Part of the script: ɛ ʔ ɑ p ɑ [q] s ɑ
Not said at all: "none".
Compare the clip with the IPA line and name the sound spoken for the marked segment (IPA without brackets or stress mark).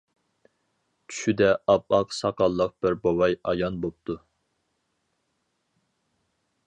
q